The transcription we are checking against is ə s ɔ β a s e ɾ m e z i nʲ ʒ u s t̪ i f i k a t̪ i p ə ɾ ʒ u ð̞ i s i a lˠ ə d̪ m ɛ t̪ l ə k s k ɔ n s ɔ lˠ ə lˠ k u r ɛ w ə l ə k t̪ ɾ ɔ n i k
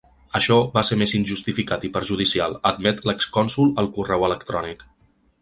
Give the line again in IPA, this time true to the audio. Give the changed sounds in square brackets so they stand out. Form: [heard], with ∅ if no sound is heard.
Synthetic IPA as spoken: ə [ʃ] ɔ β a s e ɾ m e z i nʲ ʒ u s t̪ i f i k a t̪ i p ə ɾ ʒ u ð̞ i s i a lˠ ə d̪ m ɛ t̪ l ə k s k ɔ n s [u] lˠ ə lˠ k u r ɛ w ə l ə k t̪ ɾ ɔ n i k